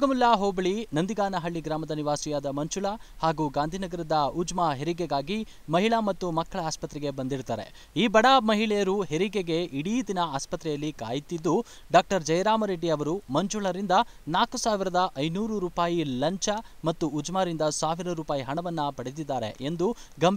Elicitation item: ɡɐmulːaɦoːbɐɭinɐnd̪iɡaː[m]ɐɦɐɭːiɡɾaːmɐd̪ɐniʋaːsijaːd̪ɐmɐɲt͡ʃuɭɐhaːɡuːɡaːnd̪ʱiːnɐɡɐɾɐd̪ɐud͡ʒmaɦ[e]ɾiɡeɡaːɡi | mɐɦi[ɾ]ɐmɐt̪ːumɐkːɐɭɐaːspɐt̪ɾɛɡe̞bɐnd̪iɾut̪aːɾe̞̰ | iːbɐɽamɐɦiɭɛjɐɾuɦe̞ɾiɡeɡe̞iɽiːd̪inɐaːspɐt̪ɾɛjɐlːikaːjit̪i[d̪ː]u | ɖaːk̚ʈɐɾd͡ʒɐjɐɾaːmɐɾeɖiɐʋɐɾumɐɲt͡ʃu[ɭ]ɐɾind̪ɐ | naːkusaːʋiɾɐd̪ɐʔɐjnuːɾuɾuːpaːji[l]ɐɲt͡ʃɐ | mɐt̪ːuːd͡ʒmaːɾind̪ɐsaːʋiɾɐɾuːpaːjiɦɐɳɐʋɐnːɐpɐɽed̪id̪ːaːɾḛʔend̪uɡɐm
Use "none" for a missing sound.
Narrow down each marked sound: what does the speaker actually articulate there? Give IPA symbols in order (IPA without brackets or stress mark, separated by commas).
n, e, ɭ, d̪ː, ɭ, l